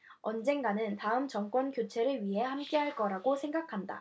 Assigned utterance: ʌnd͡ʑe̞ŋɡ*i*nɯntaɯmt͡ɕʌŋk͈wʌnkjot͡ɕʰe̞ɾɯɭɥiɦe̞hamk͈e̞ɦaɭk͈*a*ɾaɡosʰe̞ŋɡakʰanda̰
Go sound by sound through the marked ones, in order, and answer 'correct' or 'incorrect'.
incorrect: a, incorrect: ʌ

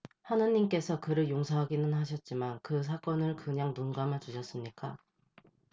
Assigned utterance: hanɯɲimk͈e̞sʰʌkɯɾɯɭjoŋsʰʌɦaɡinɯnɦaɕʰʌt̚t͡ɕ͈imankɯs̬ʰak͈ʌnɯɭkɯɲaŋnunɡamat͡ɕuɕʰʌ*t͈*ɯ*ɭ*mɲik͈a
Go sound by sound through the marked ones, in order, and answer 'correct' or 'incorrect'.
incorrect: s͈, incorrect: none

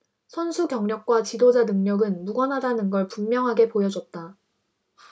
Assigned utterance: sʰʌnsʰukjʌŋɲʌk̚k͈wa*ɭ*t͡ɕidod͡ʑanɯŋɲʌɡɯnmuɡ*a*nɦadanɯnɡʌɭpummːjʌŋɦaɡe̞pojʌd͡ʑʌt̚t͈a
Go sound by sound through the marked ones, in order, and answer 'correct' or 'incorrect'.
incorrect: none, incorrect: ʌ

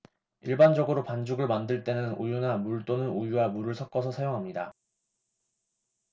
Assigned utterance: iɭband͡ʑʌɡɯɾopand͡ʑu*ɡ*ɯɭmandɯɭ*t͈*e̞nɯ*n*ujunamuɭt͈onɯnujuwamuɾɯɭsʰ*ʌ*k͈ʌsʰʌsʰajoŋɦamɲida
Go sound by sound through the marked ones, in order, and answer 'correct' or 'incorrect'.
correct, correct, correct, correct

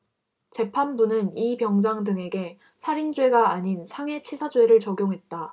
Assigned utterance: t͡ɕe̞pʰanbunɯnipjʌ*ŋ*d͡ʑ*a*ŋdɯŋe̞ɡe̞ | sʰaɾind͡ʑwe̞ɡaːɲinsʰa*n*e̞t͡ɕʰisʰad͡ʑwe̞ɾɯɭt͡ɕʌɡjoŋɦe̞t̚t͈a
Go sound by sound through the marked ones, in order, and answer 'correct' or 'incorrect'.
correct, correct, incorrect: ŋ

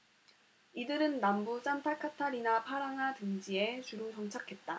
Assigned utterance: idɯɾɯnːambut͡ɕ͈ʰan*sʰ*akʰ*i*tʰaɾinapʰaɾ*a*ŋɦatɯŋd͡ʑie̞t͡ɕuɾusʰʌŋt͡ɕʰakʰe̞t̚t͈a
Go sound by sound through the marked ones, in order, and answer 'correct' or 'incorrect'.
incorrect: tʰ, incorrect: a, correct

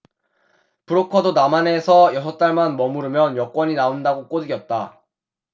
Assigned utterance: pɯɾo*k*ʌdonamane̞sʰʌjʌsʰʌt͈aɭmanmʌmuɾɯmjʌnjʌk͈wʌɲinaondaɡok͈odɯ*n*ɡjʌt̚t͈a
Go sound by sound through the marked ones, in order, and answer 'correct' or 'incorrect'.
incorrect: kʰ, incorrect: none

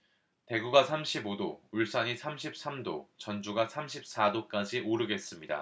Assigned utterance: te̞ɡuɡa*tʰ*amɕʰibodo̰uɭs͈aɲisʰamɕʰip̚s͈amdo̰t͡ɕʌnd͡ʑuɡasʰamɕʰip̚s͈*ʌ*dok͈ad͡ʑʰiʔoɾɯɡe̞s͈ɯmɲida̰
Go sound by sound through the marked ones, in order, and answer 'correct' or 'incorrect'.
incorrect: sʰ, incorrect: a

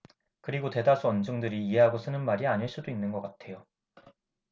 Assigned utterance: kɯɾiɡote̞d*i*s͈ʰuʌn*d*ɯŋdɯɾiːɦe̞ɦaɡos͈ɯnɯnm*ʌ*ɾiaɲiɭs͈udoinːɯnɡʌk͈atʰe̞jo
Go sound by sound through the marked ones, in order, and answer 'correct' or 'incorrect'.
incorrect: a, incorrect: d͡ʑ, incorrect: a

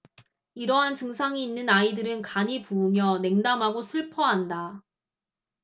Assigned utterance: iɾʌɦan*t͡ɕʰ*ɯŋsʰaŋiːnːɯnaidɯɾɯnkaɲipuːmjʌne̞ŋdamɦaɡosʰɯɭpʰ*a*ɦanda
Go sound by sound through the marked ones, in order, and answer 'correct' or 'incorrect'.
incorrect: t͡ɕ, incorrect: ʌ

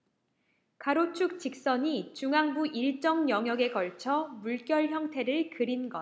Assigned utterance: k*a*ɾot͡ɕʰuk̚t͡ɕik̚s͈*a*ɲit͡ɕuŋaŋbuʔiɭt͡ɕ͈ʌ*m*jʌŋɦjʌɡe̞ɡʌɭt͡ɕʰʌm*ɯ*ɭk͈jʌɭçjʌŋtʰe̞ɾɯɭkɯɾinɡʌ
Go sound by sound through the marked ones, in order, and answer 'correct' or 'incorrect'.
correct, incorrect: ʌ, incorrect: ŋ, incorrect: u

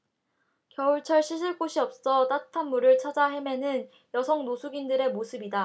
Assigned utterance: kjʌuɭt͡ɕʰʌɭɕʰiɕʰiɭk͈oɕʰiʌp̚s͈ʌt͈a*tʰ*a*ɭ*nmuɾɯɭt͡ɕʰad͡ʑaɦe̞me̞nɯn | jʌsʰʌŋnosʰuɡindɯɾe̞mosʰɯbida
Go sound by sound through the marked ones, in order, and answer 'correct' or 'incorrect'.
correct, incorrect: none

